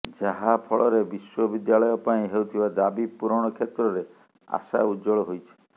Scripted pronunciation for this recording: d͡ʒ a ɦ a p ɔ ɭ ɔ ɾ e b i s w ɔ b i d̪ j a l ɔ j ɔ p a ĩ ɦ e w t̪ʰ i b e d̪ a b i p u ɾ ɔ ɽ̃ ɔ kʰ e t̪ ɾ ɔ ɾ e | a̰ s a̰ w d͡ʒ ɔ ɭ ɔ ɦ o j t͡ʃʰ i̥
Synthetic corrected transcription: d͡ʒ a ɦ a pʰ ɔ ɭ ɔ ɾ e b i s w ɔ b i d̪ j a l ɔ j ɔ p a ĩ ɦ e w t̪ʰ i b a d̪ a b i p u ɾ ɔ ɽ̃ ɔ kʰ e t̪ ɾ ɔ ɾ e | a̰ s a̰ u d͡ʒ ɔ ɭ ɔ ɦ o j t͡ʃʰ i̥